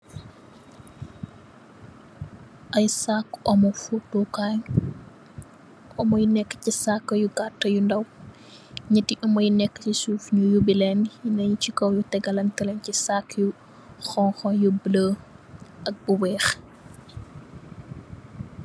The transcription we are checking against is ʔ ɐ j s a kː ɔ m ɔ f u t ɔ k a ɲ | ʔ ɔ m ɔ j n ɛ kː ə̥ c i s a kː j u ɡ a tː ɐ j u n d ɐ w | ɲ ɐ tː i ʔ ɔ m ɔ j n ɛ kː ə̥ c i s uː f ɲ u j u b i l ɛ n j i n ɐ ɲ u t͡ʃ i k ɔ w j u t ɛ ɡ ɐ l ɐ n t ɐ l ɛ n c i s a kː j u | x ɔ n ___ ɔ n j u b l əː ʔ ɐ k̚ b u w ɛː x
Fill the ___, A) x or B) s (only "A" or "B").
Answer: A